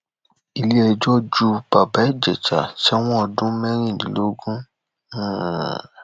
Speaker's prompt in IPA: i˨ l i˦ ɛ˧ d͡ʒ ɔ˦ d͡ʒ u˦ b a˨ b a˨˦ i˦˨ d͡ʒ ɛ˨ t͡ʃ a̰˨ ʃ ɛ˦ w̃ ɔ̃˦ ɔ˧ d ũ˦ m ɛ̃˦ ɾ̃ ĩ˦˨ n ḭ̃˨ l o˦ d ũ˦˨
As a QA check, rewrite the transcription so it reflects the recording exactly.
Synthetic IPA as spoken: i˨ l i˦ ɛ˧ d͡ʒ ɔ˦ d͡ʒ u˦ b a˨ b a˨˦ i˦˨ d͡ʒ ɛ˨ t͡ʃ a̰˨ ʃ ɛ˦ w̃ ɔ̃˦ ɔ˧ d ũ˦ m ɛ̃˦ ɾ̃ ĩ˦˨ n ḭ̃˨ l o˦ ɡ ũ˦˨

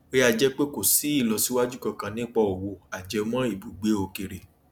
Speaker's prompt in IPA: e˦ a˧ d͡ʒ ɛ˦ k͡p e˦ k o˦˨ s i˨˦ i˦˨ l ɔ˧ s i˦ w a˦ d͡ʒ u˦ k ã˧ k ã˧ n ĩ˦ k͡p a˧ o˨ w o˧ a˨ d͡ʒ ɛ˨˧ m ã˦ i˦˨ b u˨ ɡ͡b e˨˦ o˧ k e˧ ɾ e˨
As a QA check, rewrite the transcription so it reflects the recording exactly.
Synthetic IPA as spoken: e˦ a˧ d͡ʒ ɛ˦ k͡p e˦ k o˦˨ s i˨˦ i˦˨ l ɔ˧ s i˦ w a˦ d͡ʒ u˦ k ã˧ k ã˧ n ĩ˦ k͡p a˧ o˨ w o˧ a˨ d͡ʒ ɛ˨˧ m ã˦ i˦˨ b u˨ ɡ͡b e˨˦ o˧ k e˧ ɾ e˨

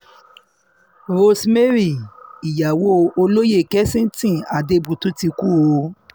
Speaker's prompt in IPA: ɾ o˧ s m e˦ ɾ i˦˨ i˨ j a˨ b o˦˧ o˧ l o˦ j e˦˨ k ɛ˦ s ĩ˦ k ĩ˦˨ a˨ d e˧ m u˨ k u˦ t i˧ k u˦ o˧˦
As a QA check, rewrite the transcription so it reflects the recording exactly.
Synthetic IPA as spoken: ɾ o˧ s m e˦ ɾ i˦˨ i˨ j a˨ w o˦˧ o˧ l o˦ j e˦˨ k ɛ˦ s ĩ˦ t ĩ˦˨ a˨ d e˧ b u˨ t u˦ t i˧ k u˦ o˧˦

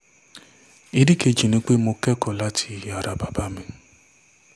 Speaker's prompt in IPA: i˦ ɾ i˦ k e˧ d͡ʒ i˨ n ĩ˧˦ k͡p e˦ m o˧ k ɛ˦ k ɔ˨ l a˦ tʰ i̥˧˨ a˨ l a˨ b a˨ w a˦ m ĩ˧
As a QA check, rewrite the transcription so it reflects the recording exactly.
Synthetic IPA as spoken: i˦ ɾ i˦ k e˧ d͡ʒ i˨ n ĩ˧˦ k͡p e˦ m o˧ k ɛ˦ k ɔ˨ l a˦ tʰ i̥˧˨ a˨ ɾ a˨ b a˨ b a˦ m ĩ˧

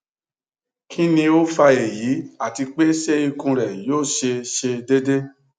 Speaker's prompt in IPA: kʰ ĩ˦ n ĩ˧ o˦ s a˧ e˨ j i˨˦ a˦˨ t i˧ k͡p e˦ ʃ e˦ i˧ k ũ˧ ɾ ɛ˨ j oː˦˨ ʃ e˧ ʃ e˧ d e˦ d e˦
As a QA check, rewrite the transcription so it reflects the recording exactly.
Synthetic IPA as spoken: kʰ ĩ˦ n ĩ˧ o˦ f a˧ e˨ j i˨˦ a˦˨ t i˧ k͡p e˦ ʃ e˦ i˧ k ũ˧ ɾ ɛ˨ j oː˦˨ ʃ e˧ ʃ e˧ d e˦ d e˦

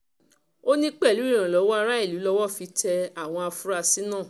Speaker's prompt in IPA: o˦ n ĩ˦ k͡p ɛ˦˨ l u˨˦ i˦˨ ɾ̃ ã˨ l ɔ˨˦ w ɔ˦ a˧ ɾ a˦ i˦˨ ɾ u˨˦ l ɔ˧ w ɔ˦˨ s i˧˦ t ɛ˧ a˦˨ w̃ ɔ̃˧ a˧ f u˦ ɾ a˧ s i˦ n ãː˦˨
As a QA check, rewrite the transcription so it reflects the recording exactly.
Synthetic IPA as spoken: o˦ n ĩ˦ k͡p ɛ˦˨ l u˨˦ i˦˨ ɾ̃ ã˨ l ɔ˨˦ w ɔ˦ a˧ ɾ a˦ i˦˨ l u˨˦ l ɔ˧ w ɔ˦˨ f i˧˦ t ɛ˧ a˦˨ w̃ ɔ̃˧ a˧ f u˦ ɾ a˧ s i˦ n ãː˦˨

